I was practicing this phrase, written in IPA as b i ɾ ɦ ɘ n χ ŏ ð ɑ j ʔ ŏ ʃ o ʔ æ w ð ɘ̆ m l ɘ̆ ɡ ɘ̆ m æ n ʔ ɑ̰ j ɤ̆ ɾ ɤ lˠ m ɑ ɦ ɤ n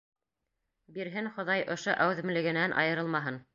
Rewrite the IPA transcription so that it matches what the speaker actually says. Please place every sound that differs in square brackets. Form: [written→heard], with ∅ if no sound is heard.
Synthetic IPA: b i ɾ ɦ ɘ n χ ŏ ð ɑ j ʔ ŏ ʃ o ʔ æ w ð ɘ̆ m l ɘ̆ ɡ ɘ̆ [m→n] æ n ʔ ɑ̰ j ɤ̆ ɾ ɤ lˠ m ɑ ɦ ɤ n